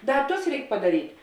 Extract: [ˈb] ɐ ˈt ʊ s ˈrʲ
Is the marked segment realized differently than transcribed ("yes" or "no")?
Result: yes